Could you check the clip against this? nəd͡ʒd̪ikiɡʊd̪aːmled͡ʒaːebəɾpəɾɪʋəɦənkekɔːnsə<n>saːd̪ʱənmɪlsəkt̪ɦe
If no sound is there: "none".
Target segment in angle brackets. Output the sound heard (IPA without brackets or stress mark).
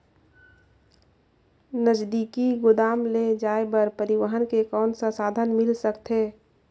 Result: none